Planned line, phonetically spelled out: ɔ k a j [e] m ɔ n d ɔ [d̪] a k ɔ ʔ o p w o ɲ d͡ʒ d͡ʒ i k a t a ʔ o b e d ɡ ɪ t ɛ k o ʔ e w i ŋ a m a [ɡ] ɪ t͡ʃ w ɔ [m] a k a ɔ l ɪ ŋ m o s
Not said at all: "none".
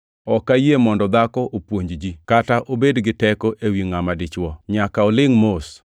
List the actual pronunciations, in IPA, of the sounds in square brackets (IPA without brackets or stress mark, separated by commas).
e, d̪, d, ɲ